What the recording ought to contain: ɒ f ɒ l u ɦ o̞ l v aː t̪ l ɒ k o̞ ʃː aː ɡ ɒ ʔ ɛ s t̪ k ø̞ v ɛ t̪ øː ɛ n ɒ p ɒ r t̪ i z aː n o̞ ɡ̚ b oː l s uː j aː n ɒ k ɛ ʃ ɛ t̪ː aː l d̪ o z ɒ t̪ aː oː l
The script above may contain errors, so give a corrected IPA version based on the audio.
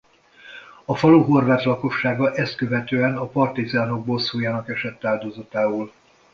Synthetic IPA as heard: ɒ f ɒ l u ɦ o̞ r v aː t̪ l ɒ k o̞ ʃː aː ɡ ɒ ʔ ɛ s t̪ k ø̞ v ɛ t̪ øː ɛ n ɒ p ɒ r t̪ i z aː n o̞ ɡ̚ b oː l s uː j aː n ɒ k ɛ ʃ ɛ t̪ː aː l d̪ o z ɒ t̪ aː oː l